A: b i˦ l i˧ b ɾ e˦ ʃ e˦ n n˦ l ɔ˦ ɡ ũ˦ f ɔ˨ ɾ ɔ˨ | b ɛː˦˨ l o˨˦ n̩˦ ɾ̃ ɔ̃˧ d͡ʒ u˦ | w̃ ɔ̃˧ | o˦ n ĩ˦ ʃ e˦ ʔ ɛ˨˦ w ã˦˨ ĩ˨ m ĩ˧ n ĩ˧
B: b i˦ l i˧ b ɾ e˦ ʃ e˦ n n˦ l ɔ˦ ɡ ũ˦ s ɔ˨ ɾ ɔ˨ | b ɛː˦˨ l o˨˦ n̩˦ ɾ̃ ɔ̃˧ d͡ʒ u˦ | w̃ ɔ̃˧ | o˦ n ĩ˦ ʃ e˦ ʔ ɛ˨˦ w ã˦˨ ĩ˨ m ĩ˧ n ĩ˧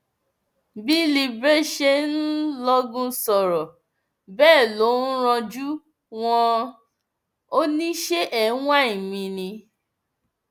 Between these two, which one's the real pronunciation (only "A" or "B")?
B